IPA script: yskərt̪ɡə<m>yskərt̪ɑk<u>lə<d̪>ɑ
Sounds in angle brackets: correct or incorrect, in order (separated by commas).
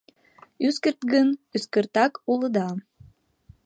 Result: incorrect, correct, correct